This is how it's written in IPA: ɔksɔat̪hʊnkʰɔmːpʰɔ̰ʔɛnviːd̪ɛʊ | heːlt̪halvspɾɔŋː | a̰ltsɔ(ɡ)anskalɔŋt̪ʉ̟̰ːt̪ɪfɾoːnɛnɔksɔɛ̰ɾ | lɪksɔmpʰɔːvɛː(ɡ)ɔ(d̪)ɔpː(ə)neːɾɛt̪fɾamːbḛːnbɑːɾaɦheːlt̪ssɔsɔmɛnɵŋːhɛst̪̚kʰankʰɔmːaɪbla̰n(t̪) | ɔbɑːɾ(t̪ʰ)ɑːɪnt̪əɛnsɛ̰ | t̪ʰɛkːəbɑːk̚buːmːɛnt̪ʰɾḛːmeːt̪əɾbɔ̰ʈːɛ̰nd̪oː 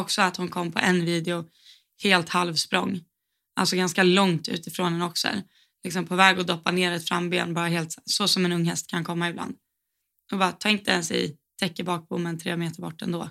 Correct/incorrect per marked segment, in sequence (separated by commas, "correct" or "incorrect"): correct, correct, correct, incorrect, incorrect, correct